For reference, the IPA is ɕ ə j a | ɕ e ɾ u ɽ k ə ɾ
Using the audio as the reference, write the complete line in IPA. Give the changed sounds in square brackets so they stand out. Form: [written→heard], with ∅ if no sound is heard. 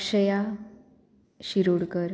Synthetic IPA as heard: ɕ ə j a | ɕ [e→i] ɾ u ɽ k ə ɾ